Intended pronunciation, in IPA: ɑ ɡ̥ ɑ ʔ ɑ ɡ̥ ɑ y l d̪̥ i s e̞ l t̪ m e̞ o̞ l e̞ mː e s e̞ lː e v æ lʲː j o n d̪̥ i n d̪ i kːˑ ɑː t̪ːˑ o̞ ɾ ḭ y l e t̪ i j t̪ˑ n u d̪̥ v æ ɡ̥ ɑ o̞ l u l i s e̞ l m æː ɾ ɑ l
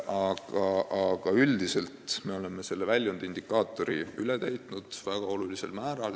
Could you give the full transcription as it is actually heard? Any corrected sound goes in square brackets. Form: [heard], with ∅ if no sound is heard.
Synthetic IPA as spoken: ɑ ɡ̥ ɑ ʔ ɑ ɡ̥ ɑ y l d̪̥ i s e̞ l t̪ m e̞ o̞ l e̞ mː e s e̞ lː e v æ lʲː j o n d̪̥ i n d̪ i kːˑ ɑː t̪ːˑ o̞ ɾ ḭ y l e t̪ [æ] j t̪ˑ n u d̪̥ v æ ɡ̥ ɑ o̞ l u l i s e̞ l m æː ɾ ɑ l